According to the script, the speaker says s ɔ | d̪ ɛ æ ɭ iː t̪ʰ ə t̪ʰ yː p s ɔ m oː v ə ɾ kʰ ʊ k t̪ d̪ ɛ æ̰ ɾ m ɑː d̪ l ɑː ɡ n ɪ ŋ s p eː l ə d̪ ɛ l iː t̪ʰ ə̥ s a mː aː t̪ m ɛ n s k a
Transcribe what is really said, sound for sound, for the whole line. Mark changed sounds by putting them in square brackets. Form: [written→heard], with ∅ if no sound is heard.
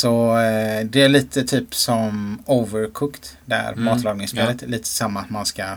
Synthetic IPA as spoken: s ɔ | d̪ ɛ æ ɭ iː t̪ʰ ə t̪ʰ yː p s ɔ m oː v ə ɾ kʰ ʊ k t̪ d̪ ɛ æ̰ ɾ m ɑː [d̪→t̪] l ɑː ɡ n ɪ ŋ s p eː l ə [d̪→t̪] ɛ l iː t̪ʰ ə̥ s a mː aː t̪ m [ɛ→a] n s k a